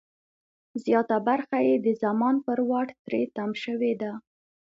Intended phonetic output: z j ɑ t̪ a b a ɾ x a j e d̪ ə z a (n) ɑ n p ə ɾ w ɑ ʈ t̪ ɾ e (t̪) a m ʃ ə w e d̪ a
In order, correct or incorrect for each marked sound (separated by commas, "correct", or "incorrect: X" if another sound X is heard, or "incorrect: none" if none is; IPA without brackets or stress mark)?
incorrect: m, correct